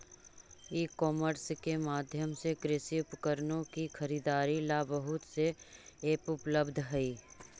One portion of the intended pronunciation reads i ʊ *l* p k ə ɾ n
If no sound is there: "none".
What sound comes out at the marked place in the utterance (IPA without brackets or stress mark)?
none